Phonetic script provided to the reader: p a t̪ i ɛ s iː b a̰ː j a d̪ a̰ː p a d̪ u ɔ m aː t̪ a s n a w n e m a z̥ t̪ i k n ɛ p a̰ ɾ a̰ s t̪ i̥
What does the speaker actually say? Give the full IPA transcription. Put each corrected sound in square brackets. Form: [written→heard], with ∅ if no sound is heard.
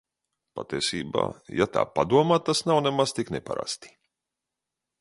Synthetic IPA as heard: p a t̪ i ɛ s iː b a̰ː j a [d̪→t̪] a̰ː p a d̪ u ɔ m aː t̪ a s n a w n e m a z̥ t̪ i k n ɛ p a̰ ɾ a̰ s t̪ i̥